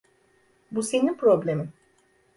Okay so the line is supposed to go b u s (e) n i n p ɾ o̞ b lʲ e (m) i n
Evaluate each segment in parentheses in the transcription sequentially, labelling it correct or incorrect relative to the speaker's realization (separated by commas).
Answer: correct, correct